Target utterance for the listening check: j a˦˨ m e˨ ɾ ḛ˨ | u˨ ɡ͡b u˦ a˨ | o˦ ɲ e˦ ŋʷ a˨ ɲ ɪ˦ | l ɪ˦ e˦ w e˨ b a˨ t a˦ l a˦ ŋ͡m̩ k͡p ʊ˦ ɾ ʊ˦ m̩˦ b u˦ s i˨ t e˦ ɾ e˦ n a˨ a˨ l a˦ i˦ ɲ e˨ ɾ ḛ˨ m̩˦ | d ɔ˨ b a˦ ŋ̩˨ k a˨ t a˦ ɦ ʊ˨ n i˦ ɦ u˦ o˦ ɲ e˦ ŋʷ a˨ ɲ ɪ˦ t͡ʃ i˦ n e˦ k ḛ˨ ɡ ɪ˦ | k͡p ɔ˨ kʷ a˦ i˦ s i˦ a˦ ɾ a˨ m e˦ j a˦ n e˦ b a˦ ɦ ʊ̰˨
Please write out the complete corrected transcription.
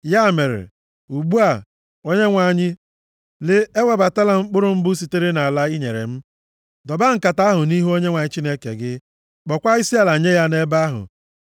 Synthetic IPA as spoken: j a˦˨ m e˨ ɾ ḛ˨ | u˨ ɡ͡b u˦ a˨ | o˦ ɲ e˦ ŋʷ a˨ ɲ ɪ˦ | l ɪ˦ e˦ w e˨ b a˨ t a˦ l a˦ ŋ͡m̩ k͡p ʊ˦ ɾ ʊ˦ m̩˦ b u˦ s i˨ t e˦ ɾ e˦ n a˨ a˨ l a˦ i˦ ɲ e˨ ɾ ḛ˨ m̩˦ | d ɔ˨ b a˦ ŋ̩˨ k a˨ t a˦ ɦ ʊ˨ n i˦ ɦ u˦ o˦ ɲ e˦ ŋʷ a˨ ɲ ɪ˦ t͡ʃ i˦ n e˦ k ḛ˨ ɡ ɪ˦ | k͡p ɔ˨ kʷ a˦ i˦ s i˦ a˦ l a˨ ɲ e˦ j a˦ n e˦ b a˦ ɦ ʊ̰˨

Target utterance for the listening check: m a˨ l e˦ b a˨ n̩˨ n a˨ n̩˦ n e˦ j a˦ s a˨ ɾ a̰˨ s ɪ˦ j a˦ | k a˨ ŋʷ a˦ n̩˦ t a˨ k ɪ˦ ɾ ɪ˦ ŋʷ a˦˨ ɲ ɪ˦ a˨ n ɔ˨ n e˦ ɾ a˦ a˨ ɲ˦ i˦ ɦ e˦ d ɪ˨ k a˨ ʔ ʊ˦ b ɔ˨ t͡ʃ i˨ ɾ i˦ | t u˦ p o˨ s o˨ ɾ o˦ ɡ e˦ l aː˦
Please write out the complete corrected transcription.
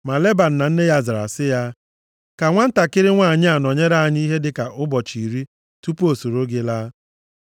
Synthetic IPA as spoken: m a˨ l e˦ b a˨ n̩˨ n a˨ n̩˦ n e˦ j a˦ z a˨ ɾ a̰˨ s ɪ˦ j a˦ | k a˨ ŋʷ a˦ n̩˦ t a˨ k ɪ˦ ɾ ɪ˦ ŋʷ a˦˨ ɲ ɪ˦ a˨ n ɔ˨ ɲ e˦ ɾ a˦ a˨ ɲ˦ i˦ ɦ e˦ d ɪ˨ k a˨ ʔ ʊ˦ b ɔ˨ t͡ʃ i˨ ɾ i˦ | t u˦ p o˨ s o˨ ɾ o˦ ɡ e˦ l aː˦

